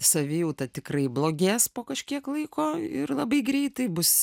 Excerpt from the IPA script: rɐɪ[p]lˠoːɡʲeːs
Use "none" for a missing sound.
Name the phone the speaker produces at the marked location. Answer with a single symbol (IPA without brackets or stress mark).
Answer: b